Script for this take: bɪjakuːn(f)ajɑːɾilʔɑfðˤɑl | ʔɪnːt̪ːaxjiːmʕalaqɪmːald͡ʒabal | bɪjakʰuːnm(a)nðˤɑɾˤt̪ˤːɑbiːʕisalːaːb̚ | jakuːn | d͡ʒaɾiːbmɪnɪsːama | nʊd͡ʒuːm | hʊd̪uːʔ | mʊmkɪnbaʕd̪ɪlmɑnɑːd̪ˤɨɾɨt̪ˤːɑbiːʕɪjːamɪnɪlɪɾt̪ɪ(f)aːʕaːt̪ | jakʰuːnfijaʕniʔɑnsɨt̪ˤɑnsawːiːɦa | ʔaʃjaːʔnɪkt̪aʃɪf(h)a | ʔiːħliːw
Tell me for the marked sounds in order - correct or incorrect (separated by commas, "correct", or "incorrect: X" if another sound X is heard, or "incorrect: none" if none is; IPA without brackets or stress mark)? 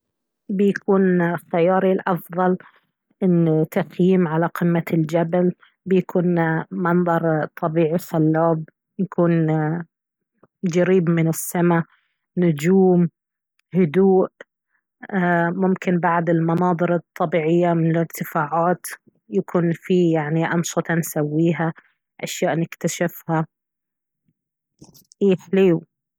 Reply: incorrect: x, incorrect: ɑ, correct, correct